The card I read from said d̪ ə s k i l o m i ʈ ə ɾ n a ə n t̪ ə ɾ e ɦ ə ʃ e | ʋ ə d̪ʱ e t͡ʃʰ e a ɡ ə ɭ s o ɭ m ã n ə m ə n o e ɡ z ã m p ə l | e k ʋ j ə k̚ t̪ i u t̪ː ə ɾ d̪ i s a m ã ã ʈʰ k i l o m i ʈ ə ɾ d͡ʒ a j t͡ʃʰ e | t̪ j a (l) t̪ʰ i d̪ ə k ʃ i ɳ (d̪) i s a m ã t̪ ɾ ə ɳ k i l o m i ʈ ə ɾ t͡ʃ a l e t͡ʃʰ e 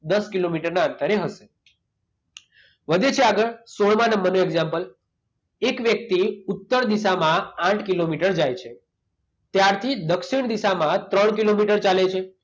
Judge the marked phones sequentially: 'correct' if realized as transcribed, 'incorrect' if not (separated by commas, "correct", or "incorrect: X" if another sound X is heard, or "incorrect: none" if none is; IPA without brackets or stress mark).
incorrect: ɾ, correct